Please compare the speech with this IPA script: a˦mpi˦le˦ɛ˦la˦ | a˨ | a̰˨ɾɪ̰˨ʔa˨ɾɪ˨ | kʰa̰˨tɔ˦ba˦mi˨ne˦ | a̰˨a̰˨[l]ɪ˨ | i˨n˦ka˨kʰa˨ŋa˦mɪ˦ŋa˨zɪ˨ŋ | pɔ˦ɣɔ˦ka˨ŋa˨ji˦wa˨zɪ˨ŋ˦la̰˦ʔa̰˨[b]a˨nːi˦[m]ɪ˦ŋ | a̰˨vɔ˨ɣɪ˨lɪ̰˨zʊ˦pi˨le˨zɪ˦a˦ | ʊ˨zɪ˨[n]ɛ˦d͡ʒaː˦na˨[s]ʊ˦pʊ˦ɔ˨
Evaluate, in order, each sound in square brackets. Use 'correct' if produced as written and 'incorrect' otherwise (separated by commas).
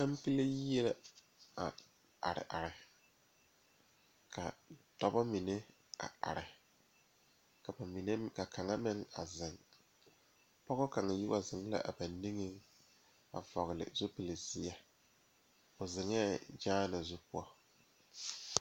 incorrect, correct, incorrect, incorrect, incorrect